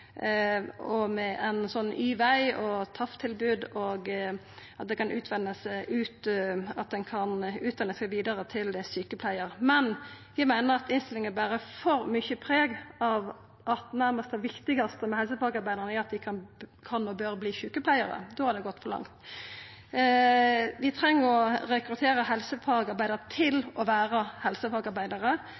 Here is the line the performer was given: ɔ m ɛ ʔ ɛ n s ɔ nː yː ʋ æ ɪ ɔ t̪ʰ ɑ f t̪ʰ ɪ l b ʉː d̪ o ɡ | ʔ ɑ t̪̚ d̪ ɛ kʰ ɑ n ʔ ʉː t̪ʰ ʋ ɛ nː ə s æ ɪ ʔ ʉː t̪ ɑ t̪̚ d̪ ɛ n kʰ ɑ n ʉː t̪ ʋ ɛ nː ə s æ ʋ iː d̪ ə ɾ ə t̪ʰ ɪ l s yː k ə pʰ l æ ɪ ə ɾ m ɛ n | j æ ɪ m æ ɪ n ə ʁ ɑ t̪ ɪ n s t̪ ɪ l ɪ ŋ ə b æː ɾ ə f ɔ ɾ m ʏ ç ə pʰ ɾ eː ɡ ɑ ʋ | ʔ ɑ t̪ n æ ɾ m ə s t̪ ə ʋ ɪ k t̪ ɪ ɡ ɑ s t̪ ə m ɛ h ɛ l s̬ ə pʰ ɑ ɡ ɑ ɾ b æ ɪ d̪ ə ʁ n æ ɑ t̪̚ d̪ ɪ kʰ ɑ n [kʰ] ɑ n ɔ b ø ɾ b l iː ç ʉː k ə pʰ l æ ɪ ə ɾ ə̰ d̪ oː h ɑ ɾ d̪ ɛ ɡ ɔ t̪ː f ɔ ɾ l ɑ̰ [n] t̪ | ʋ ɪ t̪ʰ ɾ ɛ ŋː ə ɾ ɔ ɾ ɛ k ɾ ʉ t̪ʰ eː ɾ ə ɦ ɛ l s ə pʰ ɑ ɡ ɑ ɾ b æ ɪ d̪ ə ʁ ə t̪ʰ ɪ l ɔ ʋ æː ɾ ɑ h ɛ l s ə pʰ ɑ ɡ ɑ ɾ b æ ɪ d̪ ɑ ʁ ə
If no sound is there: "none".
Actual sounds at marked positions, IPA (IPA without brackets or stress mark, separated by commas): kʰ, ŋ